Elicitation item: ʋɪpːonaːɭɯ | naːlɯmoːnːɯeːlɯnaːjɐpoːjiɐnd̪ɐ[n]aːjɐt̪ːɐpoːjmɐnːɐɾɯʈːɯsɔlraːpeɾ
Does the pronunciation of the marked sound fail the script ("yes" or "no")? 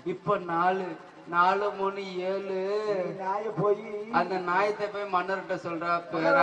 no